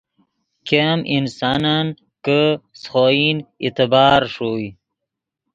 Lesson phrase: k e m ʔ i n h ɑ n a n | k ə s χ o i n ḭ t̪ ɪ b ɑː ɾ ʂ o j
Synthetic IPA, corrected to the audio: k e m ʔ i n s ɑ n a n | k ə s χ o i n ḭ t̪ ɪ b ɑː ɾ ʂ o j